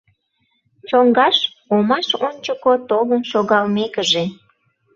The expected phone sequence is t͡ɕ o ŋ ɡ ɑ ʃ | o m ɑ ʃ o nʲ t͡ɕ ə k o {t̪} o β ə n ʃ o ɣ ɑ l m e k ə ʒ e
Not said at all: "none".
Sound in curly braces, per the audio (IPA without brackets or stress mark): t̪